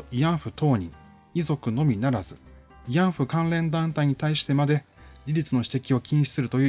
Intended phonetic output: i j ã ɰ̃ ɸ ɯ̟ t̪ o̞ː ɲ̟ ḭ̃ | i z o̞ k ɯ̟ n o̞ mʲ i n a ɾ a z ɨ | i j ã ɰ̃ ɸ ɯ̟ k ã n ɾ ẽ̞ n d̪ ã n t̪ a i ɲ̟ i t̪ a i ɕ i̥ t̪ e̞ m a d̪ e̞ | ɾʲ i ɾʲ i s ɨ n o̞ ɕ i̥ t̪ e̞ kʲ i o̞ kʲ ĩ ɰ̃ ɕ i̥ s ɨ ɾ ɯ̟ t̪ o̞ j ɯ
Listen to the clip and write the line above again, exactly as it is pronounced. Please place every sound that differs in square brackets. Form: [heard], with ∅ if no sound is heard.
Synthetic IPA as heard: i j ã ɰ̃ ɸ ɯ̟ t̪ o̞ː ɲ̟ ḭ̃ | i z o̞ k ɯ̟ n o̞ mʲ i n a ɾ a z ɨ | i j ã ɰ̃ ɸ ɯ̟ k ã n ɾ ẽ̞ n d̪ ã n t̪ a i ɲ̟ i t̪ a i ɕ i̥ t̪ e̞ m a d̪ e̞ | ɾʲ i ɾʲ i [t͡s] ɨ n o̞ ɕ i̥ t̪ e̞ kʲ i o̞ kʲ ĩ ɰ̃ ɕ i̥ s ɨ ɾ ɯ̟ t̪ o̞ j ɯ

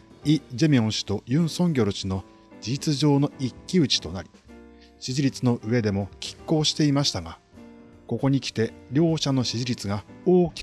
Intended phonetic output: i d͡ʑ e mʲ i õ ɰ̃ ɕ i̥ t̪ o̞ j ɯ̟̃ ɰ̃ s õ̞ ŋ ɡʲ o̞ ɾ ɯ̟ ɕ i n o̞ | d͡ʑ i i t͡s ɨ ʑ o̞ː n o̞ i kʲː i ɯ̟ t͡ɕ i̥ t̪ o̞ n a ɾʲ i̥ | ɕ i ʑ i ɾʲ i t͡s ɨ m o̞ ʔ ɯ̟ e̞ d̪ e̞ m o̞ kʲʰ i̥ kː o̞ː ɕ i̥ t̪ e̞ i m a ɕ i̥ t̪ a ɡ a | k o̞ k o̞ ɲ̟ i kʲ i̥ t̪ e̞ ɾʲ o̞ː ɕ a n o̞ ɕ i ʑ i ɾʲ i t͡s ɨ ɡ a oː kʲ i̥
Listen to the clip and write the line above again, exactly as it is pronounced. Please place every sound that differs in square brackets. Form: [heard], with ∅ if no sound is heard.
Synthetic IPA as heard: i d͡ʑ e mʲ i õ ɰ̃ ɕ i̥ t̪ o̞ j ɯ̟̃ ɰ̃ s õ̞ ŋ ɡʲ o̞ ɾ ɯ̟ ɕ i n o̞ | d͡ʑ i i t͡s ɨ ʑ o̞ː n o̞ i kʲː i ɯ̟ t͡ɕ i̥ t̪ o̞ n a ɾʲ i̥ | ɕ i ʑ i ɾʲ i t͡s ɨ [n] o̞ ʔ ɯ̟ e̞ d̪ e̞ m o̞ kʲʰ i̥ kː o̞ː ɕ i̥ t̪ e̞ i m a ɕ i̥ t̪ a ɡ a | k o̞ k o̞ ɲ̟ i kʲ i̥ t̪ e̞ ɾʲ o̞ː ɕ a n o̞ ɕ i ʑ i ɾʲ i t͡s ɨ ɡ a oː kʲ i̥

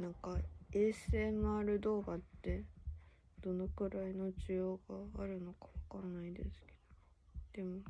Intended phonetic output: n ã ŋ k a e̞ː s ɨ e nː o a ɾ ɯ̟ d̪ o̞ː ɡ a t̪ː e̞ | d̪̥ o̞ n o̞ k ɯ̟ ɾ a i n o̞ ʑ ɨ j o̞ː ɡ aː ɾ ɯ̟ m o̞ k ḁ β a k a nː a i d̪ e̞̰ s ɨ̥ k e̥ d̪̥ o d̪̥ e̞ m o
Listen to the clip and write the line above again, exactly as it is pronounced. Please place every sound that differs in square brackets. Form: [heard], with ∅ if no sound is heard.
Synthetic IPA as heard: n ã ŋ k a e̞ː s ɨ e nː o a ɾ ɯ̟ d̪ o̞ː ɡ a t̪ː e̞ | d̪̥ o̞ n o̞ k ɯ̟ ɾ a i n o̞ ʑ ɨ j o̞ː ɡ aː ɾ ɯ̟ [n] o̞ k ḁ β a k a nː a i d̪ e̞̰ s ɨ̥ k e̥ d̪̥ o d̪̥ e̞ m o

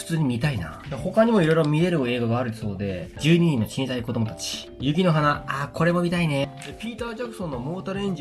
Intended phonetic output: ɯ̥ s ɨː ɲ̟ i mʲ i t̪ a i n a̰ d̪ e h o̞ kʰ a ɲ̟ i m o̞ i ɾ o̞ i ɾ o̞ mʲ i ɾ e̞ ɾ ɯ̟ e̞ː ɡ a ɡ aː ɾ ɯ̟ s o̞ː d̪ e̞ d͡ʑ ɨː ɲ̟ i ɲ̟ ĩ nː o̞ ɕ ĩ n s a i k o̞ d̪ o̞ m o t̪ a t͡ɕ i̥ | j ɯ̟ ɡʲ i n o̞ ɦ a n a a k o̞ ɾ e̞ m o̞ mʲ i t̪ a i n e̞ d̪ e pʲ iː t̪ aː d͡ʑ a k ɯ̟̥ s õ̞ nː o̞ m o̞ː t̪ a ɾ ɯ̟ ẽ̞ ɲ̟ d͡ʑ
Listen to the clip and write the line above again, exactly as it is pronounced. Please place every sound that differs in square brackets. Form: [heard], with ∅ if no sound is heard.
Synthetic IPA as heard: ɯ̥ [t͡s] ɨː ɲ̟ i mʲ i t̪ a i n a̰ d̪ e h o̞ [k] a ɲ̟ i m o̞ i ɾ o̞ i ɾ o̞ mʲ i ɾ e̞ ɾ ɯ̟ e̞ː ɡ a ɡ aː ɾ ɯ̟ s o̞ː d̪ e̞ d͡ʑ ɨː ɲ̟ i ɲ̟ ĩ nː o̞ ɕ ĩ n s a i k o̞ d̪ o̞ m o t̪ a t͡ɕ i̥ | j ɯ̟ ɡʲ i n o̞ ɦ a n a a k o̞ ɾ e̞ m o̞ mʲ i t̪ a i n e̞ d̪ e pʲ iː t̪ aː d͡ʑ a k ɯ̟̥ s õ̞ nː o̞ m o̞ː t̪ a ɾ ɯ̟ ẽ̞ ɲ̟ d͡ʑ

